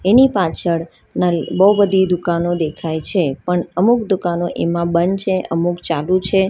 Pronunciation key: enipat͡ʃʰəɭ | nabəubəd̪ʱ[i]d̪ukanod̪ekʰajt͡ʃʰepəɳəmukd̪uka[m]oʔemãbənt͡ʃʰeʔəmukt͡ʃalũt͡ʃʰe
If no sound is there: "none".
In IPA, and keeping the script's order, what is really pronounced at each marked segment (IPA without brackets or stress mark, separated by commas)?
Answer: i, n